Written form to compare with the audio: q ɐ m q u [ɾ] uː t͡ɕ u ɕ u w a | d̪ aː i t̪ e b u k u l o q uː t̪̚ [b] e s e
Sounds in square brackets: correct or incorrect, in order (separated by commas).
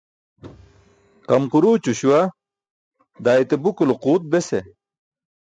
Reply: correct, correct